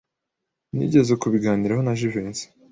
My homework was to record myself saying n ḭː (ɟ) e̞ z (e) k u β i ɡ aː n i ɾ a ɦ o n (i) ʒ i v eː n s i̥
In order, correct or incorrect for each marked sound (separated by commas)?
correct, correct, incorrect